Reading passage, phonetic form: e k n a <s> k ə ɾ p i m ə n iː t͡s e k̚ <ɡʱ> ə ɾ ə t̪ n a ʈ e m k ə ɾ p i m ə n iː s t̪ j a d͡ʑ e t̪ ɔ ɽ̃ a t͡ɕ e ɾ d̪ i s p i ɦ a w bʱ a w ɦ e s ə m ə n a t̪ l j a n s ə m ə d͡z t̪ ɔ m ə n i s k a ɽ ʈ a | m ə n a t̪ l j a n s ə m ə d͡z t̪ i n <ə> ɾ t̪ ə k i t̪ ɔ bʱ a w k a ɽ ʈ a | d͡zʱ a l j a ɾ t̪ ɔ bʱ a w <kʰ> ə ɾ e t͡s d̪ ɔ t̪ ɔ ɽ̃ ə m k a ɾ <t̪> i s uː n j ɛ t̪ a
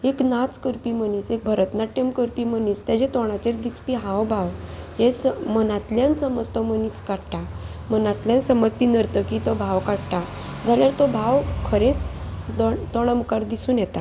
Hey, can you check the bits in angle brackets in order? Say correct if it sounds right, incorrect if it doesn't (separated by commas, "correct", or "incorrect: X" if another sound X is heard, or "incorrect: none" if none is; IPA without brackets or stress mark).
incorrect: t͡s, incorrect: bʱ, correct, correct, incorrect: d̪